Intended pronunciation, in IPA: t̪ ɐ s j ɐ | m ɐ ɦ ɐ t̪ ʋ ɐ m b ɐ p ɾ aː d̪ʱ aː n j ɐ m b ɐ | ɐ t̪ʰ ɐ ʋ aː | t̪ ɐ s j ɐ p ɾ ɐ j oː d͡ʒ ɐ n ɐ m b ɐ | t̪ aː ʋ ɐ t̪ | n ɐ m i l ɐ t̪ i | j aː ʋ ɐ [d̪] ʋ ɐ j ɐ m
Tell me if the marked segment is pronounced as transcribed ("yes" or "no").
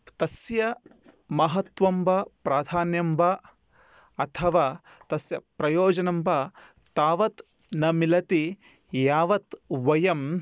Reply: no